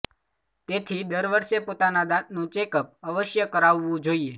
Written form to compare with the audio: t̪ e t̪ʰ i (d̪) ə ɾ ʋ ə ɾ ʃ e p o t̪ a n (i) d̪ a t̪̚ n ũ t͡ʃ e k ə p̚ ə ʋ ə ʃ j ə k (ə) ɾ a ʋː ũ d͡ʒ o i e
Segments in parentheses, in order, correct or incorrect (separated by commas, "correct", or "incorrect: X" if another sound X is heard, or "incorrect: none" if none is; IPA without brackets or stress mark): correct, incorrect: a, correct